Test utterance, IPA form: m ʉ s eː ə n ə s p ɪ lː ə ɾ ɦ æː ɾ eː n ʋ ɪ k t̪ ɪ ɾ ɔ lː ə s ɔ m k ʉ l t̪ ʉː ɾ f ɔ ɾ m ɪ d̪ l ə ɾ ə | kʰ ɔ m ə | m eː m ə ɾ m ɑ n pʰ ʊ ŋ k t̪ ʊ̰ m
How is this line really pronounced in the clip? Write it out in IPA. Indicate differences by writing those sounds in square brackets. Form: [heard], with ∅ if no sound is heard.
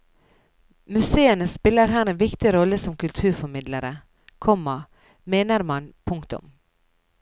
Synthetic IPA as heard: m ʉ s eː ə n ə s p ɪ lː ə ɾ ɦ æː ɾ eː n ʋ ɪ k t̪ ɪ ɾ ɔ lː ə s ɔ m k ʉ l [t̪ʰ] ʉː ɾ f ɔ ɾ m ɪ d̪ l ə ɾ ə | kʰ ɔ m [ɑ] | m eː [n] ə ɾ m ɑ n pʰ ʊ ŋ k t̪ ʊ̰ m

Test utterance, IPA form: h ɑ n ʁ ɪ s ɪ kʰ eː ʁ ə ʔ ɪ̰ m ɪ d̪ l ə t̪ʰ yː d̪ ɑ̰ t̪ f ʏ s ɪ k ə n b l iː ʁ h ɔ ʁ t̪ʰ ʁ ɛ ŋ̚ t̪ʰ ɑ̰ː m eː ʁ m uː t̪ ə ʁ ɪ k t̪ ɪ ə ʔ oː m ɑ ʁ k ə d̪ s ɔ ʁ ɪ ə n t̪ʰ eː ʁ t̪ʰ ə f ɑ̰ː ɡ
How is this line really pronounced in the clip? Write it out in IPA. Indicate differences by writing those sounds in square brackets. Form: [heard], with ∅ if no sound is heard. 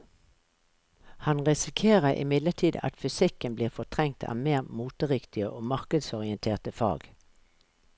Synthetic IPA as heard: h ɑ n ʁ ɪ s ɪ kʰ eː ʁ ə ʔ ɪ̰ m ɪ d̪ l ə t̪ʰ [iː] d̪ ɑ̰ t̪ f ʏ s ɪ k ə n b l iː ʁ [f] ɔ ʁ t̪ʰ ʁ ɛ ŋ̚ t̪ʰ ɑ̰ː m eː ʁ m uː t̪ ə ʁ ɪ k t̪ ɪ ə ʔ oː m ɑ ʁ k ə d̪ s ɔ ʁ ɪ ə n t̪ʰ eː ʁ [t̪] ə f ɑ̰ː ɡ

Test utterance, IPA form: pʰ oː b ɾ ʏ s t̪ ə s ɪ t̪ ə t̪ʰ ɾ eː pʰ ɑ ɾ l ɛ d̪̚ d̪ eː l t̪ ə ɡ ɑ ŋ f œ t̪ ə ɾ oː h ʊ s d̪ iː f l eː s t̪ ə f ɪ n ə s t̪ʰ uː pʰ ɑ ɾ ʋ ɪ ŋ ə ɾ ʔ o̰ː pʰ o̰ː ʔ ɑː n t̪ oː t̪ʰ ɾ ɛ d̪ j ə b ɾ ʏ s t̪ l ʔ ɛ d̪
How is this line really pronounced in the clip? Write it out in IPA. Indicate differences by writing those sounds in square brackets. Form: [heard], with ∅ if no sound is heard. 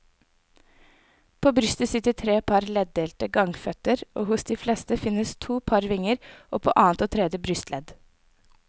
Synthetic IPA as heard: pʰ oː b ɾ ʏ s t̪ ə s ɪ t̪ ə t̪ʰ ɾ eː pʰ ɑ ɾ l ɛ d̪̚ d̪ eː l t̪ ə ɡ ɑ ŋ f œ t̪ ə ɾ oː h ʊ s d̪ iː f l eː s t̪ ə f ɪ n ə s t̪ʰ uː pʰ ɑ ɾ ʋ ɪ ŋ ə ɾ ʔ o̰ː pʰ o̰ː ʔ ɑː n t̪ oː t̪ʰ ɾ ɛ d̪ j ə b ɾ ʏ s t̪ l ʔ ɛ d̪

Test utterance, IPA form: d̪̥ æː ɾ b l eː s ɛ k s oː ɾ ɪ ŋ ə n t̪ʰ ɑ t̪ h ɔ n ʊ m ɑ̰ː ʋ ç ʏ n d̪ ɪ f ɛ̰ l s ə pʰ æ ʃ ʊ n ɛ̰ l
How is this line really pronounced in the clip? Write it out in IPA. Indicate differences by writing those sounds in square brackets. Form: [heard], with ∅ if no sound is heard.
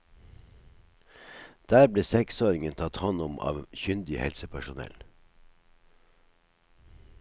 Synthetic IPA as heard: d̪̥ æː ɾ b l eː s ɛ k s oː ɾ ɪ ŋ ə n t̪ʰ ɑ t̪ h ɔ n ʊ m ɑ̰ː ʋ ç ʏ n d̪ ɪ [h] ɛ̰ l s ə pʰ æ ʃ ʊ n ɛ̰ l

